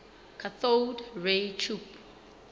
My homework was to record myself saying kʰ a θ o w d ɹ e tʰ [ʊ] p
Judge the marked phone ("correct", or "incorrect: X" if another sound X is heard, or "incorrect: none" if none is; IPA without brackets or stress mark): incorrect: u